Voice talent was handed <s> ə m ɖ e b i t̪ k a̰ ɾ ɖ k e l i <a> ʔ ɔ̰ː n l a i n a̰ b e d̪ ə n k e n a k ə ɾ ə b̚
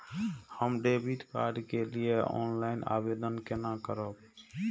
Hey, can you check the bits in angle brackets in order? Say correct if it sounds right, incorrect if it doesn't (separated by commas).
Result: incorrect, incorrect